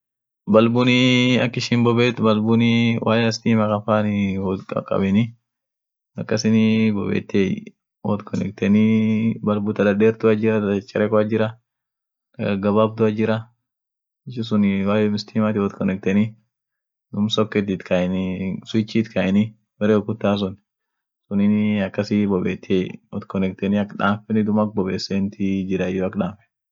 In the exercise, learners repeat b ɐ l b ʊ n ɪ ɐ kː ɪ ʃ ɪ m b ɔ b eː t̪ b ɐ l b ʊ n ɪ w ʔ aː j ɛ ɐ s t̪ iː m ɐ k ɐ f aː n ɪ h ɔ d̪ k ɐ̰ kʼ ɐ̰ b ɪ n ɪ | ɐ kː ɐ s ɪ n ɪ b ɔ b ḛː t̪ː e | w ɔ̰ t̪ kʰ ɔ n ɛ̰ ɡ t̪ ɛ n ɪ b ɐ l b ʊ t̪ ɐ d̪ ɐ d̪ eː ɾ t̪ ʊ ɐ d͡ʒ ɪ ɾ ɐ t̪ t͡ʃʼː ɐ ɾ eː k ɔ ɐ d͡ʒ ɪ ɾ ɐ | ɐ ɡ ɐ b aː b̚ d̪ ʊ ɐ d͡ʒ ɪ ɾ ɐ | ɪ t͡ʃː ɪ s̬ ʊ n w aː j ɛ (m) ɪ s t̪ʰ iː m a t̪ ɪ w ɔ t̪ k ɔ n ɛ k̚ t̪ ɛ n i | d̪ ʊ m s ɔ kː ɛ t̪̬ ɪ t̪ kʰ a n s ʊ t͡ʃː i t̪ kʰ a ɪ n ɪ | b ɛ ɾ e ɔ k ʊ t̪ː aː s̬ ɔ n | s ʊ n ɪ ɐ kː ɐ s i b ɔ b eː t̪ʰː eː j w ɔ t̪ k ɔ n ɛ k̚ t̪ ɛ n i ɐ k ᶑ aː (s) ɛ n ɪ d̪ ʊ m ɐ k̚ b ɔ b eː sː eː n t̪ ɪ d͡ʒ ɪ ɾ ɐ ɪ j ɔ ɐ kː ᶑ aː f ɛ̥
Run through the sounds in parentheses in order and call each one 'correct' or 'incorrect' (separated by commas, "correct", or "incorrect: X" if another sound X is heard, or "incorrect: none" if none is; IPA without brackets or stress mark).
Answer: correct, incorrect: f